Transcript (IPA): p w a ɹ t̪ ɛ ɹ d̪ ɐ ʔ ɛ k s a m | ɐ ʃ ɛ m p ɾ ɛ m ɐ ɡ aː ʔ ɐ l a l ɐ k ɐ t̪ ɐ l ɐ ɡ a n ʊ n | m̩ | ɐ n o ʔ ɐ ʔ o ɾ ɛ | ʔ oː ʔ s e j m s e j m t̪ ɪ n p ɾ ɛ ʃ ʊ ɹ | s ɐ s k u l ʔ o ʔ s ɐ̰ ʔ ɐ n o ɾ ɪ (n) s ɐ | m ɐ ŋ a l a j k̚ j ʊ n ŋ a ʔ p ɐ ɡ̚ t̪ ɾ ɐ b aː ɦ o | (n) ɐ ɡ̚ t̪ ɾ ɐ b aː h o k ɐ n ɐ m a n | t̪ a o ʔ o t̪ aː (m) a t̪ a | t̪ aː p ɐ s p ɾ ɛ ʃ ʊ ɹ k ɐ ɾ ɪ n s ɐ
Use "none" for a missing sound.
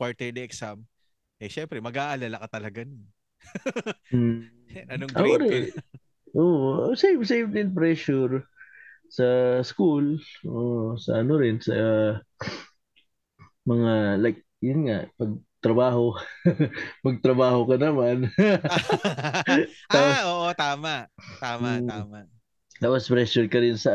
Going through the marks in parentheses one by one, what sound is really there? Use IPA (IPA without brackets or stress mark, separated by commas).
n, m, m